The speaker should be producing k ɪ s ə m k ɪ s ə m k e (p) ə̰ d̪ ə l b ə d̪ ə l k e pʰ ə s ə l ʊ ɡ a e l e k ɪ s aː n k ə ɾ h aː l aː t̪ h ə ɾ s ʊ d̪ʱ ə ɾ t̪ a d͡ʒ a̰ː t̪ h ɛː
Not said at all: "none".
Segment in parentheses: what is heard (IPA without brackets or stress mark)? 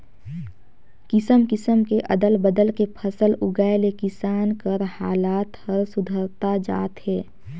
ʔ